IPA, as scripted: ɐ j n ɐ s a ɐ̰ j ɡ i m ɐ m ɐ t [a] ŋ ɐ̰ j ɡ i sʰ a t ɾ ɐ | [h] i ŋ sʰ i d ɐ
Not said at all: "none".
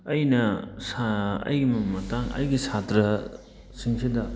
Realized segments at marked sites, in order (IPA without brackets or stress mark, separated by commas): a, s